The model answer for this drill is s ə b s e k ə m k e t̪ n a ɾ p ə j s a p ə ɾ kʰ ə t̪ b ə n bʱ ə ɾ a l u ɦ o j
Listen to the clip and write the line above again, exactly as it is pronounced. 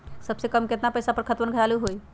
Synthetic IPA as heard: s ə b s e k ə m k e t̪ n a p ə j s a p ə ɾ kʰ ə t̪ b ə n ɡʱ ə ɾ a l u ɦ o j

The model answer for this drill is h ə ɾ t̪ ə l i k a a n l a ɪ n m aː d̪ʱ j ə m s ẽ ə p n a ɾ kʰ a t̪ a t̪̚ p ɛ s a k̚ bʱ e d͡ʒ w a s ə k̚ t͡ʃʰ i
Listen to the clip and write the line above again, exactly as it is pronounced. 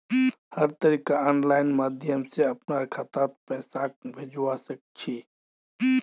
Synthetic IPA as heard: h ə ɾ t̪ ə ɾ i k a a n l a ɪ n m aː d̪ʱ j ə m s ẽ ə p n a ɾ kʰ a t̪ a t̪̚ p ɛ s a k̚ bʱ e d͡ʒ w a s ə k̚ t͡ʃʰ i

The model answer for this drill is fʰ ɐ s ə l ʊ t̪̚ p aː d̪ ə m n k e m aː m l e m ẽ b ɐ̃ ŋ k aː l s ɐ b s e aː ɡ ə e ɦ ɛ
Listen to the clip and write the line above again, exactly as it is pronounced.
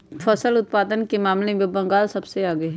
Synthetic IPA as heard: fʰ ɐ s ə l ʊ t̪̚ p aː d̪ ə n k e m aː m l e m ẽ b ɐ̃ ŋ ɡ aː l s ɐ b s e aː ɡ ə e ɦ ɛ

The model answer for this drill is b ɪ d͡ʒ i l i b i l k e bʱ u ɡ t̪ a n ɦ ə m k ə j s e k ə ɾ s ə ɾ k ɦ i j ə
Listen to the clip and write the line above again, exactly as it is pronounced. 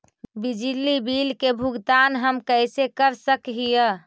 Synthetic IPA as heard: b i d͡ʒ i l i b i l k e bʱ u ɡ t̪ a n ɦ ə m k ə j s e k ə ɾ s ə k ɦ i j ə

